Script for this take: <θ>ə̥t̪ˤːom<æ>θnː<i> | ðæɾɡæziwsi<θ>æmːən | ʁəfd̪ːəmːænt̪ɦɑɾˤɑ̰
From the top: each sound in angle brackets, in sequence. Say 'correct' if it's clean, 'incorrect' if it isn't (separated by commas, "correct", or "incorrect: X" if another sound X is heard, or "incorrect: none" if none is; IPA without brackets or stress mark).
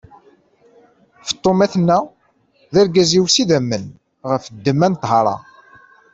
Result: incorrect: f, correct, incorrect: æ, incorrect: ð